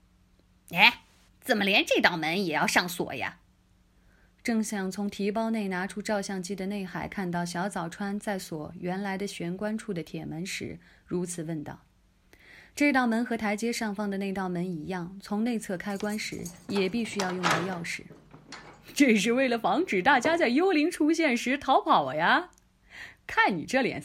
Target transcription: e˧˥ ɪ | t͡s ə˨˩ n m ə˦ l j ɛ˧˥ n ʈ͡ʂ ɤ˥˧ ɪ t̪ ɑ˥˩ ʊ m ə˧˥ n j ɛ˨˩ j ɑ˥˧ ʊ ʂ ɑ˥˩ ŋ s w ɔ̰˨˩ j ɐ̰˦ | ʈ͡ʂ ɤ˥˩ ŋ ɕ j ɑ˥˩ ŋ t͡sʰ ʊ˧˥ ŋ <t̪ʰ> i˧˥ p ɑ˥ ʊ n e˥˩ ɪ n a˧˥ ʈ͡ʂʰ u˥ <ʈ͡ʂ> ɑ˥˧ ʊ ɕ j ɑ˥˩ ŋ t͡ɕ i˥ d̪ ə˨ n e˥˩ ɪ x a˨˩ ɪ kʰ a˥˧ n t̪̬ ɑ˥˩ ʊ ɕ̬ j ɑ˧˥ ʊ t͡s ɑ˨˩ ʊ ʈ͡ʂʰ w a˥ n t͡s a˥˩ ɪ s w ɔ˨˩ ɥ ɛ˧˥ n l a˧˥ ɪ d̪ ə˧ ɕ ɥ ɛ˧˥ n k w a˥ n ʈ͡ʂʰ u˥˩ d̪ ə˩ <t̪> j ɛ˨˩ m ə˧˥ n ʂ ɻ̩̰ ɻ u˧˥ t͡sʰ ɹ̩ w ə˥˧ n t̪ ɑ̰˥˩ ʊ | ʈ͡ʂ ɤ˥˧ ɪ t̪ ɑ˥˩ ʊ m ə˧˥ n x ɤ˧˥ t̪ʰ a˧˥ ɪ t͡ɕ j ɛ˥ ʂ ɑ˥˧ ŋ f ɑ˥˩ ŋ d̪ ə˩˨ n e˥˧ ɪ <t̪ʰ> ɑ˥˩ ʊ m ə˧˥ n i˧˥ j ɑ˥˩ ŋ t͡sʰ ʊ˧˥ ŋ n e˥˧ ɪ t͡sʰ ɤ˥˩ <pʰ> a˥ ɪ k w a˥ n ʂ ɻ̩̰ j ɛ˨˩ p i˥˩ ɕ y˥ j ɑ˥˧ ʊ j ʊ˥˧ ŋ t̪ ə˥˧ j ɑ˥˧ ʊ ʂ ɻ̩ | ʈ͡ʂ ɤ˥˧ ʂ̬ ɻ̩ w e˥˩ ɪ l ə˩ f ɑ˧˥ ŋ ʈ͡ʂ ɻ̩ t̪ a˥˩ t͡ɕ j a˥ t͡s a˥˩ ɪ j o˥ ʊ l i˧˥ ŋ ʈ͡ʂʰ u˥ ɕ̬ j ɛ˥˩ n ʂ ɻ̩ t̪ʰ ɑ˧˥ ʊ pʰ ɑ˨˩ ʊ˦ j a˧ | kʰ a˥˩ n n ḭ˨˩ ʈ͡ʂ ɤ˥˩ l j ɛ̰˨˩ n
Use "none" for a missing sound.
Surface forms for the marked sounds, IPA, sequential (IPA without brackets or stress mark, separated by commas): t̪ʰ, ʈ͡ʂ, t̪ʰ, t̪, kʰ